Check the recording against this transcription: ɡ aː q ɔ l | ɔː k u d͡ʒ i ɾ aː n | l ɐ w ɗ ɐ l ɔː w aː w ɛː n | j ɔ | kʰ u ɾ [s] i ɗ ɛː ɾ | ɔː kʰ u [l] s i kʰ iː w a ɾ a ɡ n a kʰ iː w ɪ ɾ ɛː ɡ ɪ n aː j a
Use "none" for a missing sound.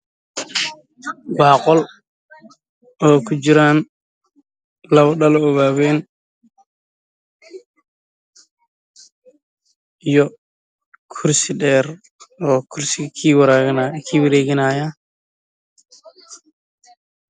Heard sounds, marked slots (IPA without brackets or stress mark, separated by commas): s, ɾ